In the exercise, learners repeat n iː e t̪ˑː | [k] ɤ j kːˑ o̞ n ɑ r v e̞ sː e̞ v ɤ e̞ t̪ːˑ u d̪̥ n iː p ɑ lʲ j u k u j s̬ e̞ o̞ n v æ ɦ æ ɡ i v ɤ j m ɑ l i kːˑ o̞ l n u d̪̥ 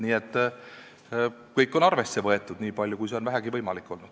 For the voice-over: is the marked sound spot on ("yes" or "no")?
yes